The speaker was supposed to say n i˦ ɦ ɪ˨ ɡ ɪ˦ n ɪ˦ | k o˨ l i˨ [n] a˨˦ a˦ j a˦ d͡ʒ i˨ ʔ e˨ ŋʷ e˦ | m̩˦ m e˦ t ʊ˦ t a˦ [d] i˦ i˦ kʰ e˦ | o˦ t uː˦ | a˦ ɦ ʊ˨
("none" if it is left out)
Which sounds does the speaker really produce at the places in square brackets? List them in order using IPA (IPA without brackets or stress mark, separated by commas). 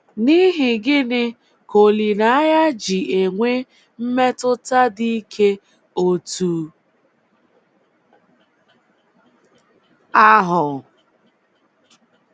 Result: n, d